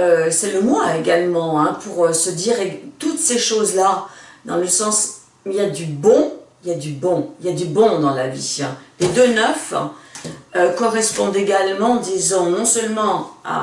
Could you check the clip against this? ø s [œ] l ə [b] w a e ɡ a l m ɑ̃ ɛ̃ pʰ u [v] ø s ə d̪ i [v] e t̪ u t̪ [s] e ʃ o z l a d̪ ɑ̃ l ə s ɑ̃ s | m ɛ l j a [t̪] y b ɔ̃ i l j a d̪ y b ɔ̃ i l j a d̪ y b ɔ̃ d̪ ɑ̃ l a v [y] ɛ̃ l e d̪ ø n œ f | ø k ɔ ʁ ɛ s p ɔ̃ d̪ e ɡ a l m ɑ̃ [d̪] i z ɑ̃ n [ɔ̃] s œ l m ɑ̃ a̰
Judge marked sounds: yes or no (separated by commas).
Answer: no, no, no, no, yes, no, no, yes, yes